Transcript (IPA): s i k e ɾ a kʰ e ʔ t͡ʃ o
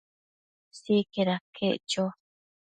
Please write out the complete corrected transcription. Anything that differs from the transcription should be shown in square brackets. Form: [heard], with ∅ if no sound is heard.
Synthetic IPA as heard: s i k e ɾ a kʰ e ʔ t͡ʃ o